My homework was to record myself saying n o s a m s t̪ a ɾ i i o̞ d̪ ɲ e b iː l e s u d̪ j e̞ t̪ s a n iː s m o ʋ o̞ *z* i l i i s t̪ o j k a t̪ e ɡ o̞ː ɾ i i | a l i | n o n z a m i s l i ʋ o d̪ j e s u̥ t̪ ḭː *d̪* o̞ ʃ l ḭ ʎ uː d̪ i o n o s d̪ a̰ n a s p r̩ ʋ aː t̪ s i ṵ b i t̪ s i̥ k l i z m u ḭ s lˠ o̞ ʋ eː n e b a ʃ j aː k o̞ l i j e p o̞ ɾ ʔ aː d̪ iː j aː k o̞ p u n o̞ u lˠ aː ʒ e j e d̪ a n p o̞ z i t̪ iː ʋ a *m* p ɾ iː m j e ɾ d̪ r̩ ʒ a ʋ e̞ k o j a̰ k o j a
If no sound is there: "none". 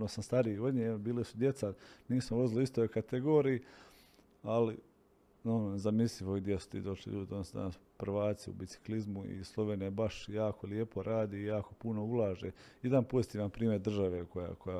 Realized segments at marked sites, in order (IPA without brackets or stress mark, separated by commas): z, d̪, n